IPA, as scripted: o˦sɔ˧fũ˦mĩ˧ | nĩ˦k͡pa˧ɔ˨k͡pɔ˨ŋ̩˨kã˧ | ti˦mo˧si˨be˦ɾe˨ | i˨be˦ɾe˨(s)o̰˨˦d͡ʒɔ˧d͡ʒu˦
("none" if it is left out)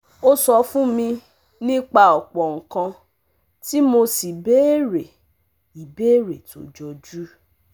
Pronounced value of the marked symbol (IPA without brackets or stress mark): t